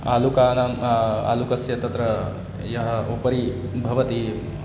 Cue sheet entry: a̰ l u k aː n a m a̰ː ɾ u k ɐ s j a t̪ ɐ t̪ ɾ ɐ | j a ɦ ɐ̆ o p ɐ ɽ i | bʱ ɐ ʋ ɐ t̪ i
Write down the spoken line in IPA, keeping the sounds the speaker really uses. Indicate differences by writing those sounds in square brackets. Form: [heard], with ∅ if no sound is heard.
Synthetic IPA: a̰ l u k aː n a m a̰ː [l] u k ɐ s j [ɐ] t̪ ɐ t̪ ɾ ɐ | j [ɐ] ɦ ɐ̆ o p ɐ [ɾ] i | bʱ ɐ ʋ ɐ t̪ i